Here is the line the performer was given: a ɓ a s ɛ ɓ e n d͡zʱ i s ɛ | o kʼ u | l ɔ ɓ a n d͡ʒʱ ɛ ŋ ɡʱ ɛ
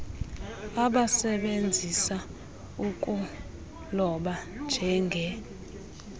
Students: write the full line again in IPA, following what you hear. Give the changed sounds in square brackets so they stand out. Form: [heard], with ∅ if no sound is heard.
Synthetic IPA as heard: a ɓ a s ɛ ɓ e n d͡zʱ i s [a] | [u] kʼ u | l ɔ ɓ a n d͡ʒʱ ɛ ŋ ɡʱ ɛ